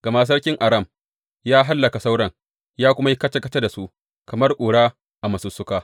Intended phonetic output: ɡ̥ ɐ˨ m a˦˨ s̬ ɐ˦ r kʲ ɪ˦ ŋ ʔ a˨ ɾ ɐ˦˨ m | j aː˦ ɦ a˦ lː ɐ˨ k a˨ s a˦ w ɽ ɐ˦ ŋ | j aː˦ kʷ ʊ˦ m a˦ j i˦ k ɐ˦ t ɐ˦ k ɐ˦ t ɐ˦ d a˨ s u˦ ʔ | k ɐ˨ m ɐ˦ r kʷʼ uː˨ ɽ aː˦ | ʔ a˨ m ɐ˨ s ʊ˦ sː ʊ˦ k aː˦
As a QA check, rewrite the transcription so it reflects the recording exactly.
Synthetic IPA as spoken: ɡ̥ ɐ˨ m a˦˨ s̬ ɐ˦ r kʲ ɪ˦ ŋ ʔ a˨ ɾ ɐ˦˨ m | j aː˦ ɦ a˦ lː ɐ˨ k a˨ s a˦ w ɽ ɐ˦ ŋ | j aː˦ kʷ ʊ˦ m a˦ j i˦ k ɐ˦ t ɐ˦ k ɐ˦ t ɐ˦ d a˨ s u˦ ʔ | k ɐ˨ m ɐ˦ r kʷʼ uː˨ ɽ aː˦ | ʔ a˨ m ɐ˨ s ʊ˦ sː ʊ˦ k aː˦